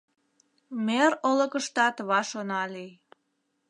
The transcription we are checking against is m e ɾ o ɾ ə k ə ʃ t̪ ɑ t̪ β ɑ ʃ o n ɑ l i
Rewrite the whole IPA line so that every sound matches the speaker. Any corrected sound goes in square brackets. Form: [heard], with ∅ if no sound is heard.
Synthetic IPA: m e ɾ o [l] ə k ə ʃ t̪ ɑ t̪ β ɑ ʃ o n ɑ l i